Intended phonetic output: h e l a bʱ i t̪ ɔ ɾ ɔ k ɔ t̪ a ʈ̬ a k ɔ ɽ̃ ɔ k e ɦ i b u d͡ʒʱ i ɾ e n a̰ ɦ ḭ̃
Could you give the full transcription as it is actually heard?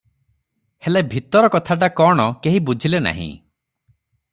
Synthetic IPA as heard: h e l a bʱ i t̪ ɔ ɾ ɔ k ɔ t̪ʰ a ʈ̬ a k ɔ ɽ̃ ɔ k e ɦ i b u d͡ʒʱ i l e n a̰ ɦ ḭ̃